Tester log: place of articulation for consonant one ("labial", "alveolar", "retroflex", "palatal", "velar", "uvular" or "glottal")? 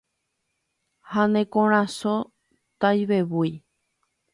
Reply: glottal